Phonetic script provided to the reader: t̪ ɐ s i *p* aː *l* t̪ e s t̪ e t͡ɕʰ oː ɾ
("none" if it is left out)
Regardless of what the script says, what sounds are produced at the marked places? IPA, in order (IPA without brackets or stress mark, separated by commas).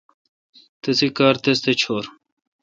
k, ɾ